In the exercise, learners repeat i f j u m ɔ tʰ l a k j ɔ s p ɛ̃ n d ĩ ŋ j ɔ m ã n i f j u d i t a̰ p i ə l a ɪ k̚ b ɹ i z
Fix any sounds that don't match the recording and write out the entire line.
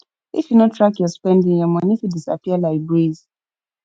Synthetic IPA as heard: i f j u n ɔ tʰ ɹ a k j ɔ s p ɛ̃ n d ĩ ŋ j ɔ m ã n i f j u d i s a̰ p i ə l a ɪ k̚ b ɹ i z